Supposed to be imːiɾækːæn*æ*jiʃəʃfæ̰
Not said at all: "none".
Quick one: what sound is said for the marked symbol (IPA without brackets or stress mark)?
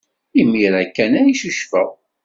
æ